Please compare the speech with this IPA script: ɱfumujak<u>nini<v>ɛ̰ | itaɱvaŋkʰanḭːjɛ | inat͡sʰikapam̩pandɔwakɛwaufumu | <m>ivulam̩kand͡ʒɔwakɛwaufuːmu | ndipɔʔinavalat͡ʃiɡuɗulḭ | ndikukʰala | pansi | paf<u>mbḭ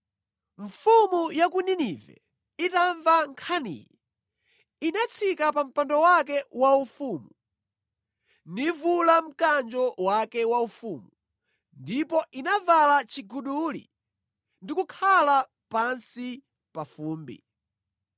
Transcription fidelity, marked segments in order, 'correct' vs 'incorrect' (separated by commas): correct, correct, incorrect, incorrect